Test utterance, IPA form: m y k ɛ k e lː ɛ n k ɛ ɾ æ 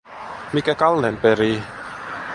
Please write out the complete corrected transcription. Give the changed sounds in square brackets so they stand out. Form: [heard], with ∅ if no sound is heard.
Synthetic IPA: m [i] k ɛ k [a] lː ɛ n [p] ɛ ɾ [i]